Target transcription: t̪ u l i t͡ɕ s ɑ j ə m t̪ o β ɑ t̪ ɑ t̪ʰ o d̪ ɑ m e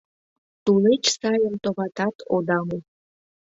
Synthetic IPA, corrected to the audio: t̪ u l e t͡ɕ s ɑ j ə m t̪ o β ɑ t̪ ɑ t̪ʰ o d̪ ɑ m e